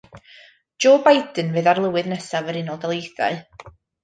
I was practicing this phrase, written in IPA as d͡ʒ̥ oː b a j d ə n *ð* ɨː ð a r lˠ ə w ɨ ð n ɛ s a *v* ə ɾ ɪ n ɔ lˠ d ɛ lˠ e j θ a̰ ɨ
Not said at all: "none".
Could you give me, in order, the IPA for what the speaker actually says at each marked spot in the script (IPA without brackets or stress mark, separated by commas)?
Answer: v, v